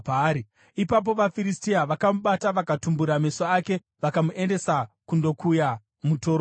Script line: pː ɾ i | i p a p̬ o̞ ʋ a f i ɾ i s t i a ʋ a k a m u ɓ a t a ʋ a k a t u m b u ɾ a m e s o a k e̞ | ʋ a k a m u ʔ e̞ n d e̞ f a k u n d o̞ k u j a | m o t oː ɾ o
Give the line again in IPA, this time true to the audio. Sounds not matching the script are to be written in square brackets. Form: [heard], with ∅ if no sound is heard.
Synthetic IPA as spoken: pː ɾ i | i p a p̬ o̞ ʋ a f i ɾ i s t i a ʋ a k a m u ɓ a t a ʋ a k a t u m b u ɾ a m e s o a k e̞ | ʋ a k a m u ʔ e̞ n d e̞ [s] a k u n d o̞ k u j a | m [u] t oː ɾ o